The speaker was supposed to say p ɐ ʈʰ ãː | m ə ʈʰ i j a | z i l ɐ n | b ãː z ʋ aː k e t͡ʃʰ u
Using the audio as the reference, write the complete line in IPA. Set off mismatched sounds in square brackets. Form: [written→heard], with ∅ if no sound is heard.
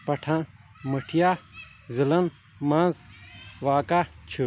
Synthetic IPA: p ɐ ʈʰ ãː | m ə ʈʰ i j a | z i l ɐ n | [b→m] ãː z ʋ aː k [e→a] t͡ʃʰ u